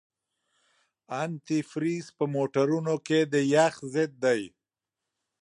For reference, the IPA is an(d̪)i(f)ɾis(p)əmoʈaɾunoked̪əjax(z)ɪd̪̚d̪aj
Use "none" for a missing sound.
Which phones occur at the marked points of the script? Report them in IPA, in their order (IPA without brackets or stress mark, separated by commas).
t̪, f, p, z